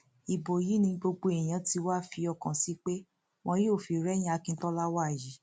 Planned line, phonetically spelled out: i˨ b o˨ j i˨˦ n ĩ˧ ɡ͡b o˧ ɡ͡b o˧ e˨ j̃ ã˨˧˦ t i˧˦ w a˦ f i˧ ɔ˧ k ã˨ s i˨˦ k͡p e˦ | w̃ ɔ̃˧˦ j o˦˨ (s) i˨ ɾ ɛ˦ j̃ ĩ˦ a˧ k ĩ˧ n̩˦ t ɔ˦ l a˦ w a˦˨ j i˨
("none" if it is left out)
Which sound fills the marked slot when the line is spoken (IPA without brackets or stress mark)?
f